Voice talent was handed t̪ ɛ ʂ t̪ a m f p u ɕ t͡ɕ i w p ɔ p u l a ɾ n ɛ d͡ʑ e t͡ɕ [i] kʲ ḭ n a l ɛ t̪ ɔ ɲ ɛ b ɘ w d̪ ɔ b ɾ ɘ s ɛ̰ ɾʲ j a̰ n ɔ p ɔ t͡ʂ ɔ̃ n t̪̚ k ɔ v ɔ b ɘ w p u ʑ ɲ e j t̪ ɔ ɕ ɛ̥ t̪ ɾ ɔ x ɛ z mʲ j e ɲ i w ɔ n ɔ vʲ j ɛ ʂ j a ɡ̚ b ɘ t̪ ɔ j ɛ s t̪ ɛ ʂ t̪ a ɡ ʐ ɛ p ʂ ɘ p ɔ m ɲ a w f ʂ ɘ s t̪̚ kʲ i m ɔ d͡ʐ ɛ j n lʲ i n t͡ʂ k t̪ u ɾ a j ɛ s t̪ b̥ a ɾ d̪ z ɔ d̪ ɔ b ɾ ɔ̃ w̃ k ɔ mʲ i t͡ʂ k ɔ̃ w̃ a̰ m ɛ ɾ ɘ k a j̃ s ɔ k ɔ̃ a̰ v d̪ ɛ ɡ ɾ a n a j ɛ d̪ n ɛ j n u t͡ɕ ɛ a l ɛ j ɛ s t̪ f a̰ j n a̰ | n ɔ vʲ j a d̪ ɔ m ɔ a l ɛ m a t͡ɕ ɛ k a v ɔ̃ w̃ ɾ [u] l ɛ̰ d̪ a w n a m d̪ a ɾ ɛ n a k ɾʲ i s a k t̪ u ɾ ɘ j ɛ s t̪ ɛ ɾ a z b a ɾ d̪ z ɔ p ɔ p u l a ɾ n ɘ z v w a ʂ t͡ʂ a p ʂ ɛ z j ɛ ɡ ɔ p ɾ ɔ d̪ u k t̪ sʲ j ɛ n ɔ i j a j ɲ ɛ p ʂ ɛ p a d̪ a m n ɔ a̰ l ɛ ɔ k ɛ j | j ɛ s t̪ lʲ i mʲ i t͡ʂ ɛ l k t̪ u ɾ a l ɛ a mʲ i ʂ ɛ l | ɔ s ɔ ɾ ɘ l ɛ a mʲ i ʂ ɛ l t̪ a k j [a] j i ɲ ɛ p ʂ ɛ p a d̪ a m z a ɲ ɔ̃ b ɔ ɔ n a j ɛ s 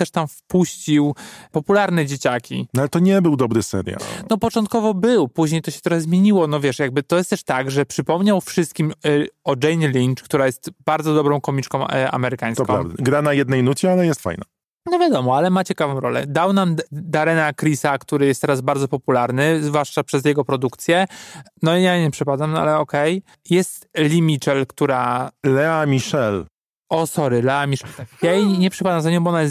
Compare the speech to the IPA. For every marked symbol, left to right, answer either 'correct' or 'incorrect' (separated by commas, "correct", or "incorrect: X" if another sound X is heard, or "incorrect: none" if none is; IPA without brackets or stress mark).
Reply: incorrect: a, incorrect: ɔ, correct